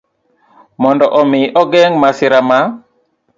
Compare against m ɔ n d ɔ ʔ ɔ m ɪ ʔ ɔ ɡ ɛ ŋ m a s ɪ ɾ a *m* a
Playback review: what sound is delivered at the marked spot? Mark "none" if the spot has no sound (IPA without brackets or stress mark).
m